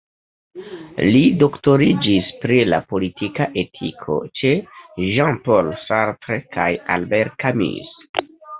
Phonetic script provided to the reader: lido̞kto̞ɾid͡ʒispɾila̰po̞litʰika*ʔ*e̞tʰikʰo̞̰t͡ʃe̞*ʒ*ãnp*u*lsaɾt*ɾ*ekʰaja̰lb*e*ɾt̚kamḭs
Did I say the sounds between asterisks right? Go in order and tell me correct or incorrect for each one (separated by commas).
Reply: correct, correct, incorrect, correct, correct